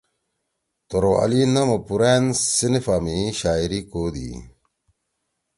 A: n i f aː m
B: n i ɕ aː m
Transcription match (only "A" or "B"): A